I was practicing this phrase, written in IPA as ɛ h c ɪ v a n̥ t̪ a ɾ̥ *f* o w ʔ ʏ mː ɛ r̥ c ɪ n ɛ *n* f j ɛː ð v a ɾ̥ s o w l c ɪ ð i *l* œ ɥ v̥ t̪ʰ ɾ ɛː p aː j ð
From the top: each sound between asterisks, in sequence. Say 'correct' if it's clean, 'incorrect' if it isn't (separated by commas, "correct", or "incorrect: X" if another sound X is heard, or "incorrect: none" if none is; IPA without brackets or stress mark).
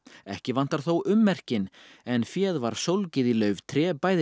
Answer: incorrect: θ, correct, correct